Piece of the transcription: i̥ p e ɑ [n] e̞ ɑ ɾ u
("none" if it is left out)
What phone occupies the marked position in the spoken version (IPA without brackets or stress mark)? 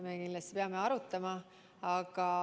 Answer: m